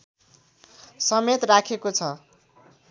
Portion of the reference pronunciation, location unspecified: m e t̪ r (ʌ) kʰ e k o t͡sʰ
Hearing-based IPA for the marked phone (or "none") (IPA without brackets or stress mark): a